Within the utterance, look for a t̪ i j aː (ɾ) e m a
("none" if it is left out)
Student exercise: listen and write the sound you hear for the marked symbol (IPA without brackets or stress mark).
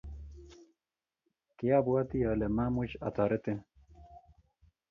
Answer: l